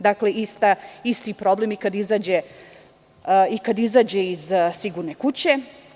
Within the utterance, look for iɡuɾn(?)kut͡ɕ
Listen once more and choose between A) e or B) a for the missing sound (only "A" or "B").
A